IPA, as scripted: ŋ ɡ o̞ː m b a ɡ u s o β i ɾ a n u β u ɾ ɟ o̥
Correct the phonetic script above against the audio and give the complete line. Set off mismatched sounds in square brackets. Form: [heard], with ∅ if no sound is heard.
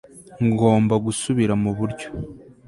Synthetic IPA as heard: ŋ ɡ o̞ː m b a ɡ u s [u] β i ɾ a [m] u β u ɾ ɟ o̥

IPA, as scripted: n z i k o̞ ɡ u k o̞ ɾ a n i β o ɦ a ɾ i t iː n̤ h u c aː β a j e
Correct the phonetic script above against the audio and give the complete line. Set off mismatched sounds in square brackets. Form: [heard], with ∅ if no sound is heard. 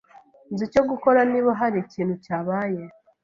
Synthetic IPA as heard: n z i [c] o̞ ɡ u k o̞ ɾ a n i β o ɦ a ɾ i [c] iː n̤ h u c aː β a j e

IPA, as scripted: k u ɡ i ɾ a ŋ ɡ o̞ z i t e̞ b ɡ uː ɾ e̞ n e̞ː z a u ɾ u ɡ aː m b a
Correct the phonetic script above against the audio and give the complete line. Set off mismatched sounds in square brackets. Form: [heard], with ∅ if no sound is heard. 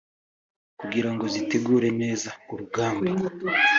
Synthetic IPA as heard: k u ɡ i ɾ a ŋ ɡ o̞ z i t e̞ [∅] ɡ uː ɾ e̞ n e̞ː z a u ɾ u ɡ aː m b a

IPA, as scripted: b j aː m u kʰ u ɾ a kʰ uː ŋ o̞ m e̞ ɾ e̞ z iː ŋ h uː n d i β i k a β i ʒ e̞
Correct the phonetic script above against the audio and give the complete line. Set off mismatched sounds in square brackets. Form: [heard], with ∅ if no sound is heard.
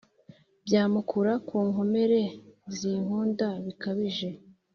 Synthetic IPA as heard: b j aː m u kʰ u ɾ a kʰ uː ŋ o̞ m e̞ ɾ e̞ z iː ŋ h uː n d [a] β i k a β i ʒ e̞

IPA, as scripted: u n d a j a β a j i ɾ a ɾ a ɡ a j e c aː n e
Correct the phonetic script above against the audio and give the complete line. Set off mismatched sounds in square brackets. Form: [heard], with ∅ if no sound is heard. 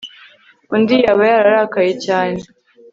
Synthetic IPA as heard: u n d [i] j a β a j [a] ɾ a ɾ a [k] a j e c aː n e

